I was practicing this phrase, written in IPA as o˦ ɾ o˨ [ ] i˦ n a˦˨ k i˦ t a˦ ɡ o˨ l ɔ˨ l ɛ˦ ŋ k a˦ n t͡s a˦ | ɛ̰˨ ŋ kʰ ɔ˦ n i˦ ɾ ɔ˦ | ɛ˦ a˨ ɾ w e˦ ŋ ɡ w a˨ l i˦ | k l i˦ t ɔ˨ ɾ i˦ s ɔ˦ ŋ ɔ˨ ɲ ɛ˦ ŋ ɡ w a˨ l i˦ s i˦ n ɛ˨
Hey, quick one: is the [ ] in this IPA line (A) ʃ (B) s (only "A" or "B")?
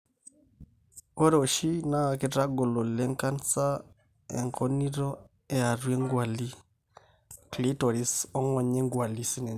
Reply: A